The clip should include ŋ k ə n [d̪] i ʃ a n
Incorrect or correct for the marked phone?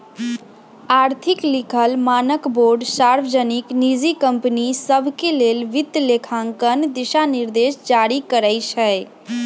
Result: correct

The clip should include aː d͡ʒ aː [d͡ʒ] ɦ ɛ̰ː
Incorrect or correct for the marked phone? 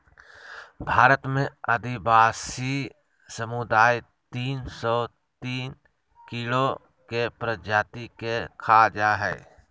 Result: incorrect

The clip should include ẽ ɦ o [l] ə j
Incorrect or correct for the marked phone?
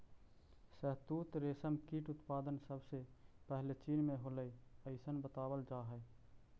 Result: correct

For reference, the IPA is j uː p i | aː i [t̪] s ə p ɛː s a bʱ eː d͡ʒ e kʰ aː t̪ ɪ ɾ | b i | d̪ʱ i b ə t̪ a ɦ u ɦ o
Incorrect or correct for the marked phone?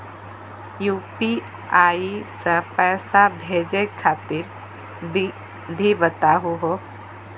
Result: incorrect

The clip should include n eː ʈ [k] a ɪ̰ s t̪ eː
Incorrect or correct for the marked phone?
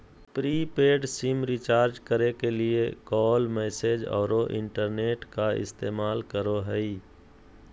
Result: correct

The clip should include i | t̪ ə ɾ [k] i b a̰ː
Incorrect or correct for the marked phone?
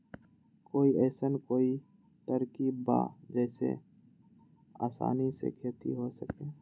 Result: correct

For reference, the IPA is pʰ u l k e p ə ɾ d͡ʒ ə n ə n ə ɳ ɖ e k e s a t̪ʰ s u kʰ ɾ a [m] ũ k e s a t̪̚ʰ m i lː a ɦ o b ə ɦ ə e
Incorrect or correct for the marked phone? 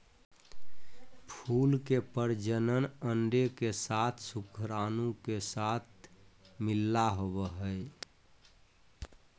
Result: incorrect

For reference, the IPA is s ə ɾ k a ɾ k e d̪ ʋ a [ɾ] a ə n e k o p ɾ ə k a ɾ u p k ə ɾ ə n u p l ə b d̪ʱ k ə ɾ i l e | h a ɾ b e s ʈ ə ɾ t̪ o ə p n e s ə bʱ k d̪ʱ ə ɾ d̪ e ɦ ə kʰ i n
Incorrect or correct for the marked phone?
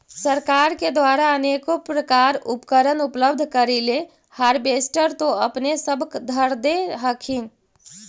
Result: correct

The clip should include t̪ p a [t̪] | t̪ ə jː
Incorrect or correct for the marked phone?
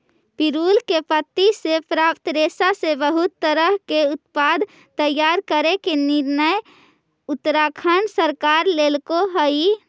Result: incorrect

